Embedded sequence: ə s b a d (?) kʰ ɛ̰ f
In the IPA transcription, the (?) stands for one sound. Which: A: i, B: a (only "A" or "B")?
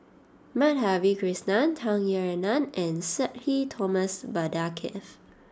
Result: B